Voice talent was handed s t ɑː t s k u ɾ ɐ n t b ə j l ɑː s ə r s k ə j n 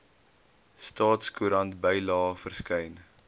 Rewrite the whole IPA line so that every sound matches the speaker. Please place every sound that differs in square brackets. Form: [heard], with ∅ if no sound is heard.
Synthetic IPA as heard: s t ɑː t s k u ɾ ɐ n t b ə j l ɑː [f] ə r s k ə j n